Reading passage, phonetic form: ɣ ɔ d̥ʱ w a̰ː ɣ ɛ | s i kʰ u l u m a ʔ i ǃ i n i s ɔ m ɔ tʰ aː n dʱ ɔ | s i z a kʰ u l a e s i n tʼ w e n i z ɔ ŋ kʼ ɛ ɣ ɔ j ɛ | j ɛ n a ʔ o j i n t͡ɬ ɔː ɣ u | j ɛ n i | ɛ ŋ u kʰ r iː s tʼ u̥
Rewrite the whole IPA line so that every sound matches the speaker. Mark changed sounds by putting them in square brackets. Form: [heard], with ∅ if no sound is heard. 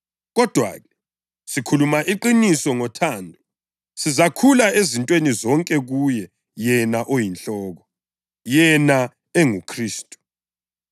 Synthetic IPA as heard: ɣ ɔ d̥ʱ w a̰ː ɣ ɛ | s i kʰ u l u m a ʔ i ǃ i n i s ɔ [ŋ] ɔ tʰ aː n dʱ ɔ | s i z a kʰ u l a e [z] i n tʼ w e n i z ɔ ŋ kʼ ɛ ɣ [u] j ɛ | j ɛ n a ʔ o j i n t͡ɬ ɔː ɣ [ɔ] | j ɛ n [a] | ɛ ŋ u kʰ r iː s tʼ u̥